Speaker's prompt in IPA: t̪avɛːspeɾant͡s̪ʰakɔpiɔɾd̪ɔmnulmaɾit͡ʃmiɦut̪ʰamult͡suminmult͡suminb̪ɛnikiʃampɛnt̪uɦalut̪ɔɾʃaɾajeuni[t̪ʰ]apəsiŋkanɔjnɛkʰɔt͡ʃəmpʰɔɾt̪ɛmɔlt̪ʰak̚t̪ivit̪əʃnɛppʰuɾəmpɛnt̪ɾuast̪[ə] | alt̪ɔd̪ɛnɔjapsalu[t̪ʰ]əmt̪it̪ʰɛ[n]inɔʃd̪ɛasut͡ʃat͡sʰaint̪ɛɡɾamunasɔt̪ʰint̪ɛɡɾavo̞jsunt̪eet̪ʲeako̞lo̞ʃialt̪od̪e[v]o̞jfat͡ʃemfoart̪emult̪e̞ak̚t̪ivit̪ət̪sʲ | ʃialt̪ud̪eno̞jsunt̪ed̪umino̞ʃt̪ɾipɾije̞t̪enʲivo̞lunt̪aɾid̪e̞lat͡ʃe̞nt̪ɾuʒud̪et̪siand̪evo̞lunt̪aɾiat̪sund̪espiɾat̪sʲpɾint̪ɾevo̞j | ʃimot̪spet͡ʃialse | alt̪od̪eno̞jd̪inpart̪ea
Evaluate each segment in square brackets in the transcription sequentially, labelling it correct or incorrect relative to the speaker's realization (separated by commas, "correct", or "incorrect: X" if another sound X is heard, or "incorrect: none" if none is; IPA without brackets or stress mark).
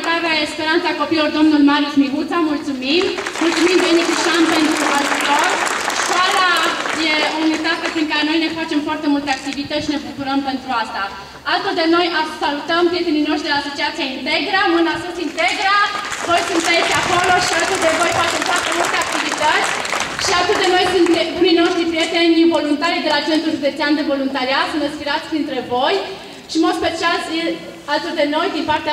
incorrect: t̪, incorrect: a, incorrect: t̪, correct, correct